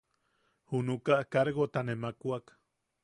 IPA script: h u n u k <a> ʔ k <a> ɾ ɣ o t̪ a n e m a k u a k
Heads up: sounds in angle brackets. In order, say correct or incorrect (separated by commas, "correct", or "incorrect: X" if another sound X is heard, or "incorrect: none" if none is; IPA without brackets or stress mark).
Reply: correct, correct